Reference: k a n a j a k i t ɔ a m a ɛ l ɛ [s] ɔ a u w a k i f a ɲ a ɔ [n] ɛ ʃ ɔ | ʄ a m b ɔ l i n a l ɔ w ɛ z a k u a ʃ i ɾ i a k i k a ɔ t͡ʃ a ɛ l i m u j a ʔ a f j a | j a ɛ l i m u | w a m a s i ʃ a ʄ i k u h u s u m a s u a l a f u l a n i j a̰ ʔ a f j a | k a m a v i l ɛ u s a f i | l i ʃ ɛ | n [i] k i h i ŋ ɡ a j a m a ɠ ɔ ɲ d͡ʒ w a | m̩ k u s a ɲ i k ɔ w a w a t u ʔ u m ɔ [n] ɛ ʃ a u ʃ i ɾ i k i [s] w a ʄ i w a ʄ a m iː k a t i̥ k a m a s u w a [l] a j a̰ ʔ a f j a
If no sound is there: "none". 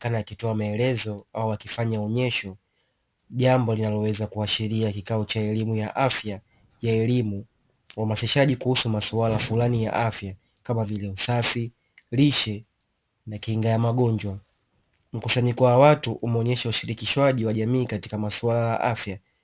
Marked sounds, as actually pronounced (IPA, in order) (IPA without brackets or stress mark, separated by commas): z, ɲ, a, ɲ, ʃ, l